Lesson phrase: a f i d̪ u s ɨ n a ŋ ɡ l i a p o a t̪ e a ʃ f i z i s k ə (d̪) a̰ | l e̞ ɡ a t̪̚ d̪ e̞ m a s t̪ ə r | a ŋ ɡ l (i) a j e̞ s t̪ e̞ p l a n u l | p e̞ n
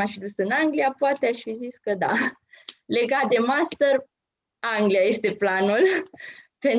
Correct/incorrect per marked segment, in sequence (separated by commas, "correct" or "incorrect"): correct, correct